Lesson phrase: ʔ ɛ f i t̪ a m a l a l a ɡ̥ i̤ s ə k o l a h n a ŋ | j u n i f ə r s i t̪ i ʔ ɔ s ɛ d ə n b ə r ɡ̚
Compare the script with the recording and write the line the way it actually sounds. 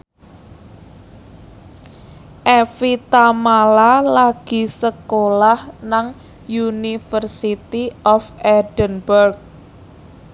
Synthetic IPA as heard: ʔ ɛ f i t̪ a m a l a l a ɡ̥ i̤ s ə k o l a h n a ŋ | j u n i f ə r s i t̪ i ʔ ɔ f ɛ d ə n b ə r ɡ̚